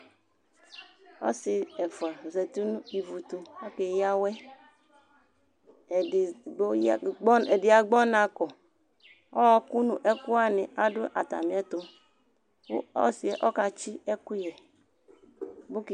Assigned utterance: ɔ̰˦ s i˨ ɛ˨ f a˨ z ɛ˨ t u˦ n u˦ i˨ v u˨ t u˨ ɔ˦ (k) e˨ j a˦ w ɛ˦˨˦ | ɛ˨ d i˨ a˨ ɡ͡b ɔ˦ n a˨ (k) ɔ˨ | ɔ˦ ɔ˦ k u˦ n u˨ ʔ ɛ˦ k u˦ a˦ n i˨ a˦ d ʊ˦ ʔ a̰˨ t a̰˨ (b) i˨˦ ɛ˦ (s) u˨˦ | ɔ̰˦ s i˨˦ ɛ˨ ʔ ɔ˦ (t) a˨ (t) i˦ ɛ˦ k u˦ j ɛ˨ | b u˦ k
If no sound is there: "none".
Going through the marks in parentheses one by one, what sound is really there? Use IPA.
k, k, m, t, k, t͡ʃ

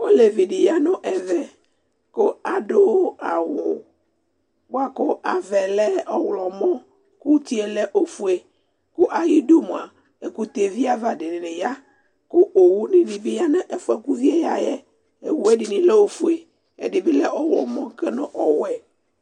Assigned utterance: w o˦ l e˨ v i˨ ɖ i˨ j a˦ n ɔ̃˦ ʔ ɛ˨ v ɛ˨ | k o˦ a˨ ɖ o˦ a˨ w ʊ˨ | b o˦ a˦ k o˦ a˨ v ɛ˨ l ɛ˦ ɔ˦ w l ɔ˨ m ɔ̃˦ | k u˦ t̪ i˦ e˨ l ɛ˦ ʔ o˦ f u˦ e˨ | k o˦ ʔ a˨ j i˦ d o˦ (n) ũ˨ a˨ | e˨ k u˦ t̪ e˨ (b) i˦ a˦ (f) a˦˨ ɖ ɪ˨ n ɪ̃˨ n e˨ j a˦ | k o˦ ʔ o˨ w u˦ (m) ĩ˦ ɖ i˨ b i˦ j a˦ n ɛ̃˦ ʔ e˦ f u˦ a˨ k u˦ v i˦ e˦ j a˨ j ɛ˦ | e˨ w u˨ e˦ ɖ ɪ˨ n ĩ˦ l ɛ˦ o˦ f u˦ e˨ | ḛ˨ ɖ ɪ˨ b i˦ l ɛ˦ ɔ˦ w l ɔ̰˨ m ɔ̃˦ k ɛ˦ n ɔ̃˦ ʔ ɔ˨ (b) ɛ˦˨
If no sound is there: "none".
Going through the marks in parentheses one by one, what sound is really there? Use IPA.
m, v, v, n, w

